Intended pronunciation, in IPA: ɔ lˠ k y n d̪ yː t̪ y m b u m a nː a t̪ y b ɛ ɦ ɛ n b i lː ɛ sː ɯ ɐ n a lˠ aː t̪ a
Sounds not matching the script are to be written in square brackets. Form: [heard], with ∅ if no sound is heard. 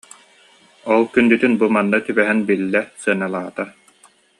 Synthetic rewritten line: ɔ lˠ k y n d̪ [y] t̪ y [n] b u m a nː a t̪ y b ɛ ɦ ɛ n b i lː ɛ [s] ɯ ɐ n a lˠ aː t̪ a